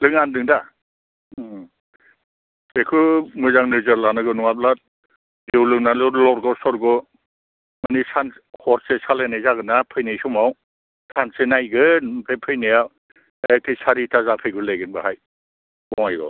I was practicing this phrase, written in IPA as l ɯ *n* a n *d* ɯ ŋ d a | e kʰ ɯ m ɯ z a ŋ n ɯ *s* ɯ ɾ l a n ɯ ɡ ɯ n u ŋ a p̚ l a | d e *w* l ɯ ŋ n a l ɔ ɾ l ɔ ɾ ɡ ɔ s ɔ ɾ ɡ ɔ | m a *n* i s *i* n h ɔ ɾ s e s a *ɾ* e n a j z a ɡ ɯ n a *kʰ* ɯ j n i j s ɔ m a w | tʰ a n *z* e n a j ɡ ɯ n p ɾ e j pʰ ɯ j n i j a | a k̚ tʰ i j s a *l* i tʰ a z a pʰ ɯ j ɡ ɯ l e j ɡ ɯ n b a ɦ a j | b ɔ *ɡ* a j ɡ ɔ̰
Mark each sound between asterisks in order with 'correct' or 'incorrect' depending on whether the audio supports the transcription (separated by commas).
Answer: incorrect, correct, incorrect, correct, correct, incorrect, incorrect, incorrect, incorrect, incorrect, incorrect